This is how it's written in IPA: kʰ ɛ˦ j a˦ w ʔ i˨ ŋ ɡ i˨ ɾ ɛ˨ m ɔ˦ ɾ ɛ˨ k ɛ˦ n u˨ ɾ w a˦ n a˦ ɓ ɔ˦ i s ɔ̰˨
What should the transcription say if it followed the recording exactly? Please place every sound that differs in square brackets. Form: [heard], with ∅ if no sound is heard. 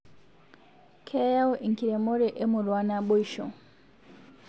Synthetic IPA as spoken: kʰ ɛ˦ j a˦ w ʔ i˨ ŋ [k] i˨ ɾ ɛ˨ m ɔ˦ ɾ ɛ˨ [ʔ] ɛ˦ [m] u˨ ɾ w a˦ n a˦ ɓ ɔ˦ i [ʃ] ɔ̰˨